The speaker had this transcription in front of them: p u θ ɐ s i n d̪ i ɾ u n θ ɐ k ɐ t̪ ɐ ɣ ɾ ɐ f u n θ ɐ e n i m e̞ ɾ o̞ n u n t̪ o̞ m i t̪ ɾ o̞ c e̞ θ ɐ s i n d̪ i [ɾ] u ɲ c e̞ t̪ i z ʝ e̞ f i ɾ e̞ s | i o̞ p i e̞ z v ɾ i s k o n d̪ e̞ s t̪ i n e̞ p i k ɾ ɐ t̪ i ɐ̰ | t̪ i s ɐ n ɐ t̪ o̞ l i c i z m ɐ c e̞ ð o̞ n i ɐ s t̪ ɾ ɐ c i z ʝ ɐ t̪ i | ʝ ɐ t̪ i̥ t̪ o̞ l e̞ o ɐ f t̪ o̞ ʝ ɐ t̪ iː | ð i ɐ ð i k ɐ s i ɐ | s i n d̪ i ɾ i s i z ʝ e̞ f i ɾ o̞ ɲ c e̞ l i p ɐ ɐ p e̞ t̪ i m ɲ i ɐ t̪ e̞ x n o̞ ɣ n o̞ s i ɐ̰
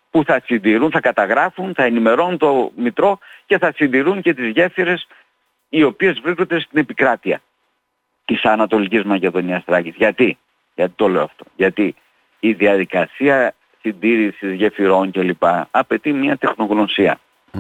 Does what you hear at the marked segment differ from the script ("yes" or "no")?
no